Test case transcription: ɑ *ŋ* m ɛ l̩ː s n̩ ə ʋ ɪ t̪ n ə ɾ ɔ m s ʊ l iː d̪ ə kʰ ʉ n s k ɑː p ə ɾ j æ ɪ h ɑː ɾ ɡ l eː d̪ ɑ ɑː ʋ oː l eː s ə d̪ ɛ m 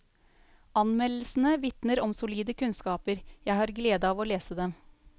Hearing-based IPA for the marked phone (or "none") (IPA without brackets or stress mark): n